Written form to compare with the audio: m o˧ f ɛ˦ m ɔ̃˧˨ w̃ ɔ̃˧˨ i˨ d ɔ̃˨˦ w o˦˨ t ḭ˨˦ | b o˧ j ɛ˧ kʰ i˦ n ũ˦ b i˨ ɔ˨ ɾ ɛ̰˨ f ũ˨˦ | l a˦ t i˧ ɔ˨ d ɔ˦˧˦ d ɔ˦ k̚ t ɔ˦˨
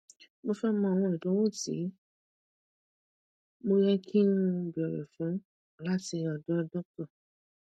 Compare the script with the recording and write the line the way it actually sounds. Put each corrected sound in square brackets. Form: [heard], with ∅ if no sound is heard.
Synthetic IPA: m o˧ f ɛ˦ m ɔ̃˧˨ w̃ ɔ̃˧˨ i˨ d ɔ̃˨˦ w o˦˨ t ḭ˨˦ | [m] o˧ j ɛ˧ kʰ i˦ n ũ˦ b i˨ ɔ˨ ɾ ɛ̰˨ f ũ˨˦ | l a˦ t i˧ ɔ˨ d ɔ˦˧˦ d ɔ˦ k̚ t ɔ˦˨